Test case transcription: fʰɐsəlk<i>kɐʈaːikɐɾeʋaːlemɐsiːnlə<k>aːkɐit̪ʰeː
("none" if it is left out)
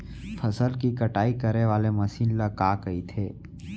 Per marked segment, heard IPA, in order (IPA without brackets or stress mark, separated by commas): i, k